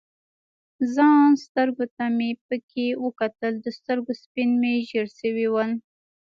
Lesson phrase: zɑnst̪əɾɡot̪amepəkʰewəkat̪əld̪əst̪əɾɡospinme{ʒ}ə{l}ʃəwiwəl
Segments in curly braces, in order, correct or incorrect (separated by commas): correct, incorrect